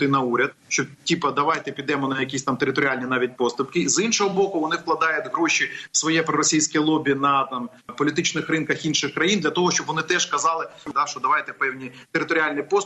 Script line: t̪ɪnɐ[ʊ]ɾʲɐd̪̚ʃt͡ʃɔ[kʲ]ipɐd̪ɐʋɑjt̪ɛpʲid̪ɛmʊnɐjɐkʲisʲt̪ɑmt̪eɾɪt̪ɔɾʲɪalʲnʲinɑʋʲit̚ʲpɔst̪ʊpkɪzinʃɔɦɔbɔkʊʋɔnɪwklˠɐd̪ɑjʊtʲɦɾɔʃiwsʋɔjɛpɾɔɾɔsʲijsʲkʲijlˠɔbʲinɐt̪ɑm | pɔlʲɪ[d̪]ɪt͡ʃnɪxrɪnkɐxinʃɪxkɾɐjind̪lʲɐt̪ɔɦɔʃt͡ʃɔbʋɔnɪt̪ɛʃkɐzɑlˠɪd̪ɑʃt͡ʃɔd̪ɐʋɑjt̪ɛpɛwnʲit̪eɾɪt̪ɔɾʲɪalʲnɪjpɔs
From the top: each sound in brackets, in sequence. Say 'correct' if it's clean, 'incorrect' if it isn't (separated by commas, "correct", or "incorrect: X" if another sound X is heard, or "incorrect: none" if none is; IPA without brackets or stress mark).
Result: incorrect: u, incorrect: tʲ, incorrect: t̪